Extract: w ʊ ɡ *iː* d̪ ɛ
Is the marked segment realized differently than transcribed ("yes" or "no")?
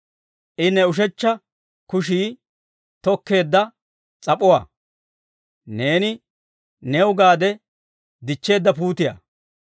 yes